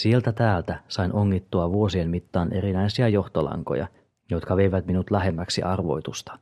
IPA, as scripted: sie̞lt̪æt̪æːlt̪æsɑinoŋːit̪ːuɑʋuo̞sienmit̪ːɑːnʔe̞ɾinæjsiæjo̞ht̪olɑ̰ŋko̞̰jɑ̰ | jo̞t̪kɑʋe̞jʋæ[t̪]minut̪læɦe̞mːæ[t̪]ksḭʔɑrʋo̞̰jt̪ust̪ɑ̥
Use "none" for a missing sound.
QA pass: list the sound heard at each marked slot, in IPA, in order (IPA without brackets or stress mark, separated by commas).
t̪, none